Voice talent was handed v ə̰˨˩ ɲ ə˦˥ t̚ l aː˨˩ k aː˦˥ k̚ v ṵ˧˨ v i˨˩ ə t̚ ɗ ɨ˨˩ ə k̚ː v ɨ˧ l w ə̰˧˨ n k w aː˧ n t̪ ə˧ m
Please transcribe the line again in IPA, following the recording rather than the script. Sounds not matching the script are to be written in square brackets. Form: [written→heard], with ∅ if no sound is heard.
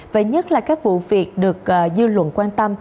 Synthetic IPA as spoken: v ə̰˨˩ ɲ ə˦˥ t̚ l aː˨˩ k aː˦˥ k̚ v ṵ˧˨ v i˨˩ ə t̚ ɗ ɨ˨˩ ə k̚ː [v→z] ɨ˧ l w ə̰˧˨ n k w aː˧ n t̪ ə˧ m